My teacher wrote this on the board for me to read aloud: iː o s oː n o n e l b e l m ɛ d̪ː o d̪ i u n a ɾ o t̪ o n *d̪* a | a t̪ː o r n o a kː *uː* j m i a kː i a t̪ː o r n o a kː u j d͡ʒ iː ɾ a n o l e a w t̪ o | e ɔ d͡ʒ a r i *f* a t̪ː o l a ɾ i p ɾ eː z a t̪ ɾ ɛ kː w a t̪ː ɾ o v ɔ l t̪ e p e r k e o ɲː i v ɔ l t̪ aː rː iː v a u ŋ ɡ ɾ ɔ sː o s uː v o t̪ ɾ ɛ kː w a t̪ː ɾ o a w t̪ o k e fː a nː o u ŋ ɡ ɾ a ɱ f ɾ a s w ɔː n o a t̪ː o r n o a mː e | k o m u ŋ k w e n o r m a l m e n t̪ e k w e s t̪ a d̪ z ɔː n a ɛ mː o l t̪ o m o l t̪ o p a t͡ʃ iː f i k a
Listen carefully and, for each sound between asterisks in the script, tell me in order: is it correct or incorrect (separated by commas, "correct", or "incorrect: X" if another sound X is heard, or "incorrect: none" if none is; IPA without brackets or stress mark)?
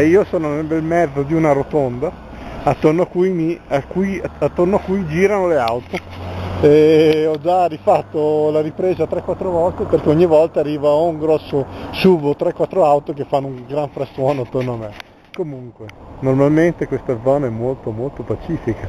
correct, incorrect: u, correct